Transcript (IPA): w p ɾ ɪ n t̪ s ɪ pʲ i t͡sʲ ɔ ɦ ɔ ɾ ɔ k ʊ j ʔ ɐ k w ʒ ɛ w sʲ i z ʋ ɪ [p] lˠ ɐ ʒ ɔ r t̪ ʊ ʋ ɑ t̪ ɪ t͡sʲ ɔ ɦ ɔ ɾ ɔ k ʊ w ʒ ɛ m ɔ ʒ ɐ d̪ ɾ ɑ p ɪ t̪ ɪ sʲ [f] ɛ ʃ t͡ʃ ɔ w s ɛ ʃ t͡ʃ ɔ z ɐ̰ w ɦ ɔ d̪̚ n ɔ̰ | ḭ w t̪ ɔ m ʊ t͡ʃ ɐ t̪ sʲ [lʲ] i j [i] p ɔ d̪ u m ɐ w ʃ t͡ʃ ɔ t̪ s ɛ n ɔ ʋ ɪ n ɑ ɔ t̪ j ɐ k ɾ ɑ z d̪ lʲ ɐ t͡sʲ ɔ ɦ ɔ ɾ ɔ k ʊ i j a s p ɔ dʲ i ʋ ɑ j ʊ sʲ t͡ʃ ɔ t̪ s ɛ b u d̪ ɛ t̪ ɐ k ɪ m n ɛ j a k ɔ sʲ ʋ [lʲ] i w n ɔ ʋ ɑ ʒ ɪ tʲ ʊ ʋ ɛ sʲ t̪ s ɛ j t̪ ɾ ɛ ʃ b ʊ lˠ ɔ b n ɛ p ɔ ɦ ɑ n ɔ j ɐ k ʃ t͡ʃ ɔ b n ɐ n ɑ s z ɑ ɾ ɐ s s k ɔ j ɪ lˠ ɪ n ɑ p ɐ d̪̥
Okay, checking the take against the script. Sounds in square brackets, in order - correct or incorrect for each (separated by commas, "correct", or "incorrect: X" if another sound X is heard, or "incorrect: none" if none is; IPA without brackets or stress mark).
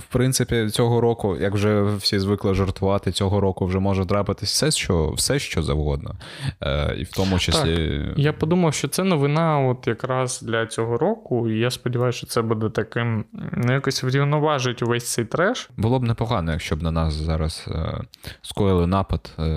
incorrect: k, incorrect: s, correct, incorrect: a, incorrect: ɾʲ